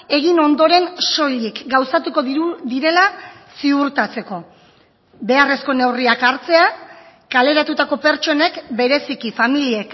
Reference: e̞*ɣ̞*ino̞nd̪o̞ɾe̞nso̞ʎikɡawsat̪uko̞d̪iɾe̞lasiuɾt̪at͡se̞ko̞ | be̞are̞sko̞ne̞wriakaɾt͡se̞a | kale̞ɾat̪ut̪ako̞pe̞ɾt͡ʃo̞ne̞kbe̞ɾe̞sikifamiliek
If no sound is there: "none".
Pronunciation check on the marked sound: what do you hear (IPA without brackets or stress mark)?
ɣ̞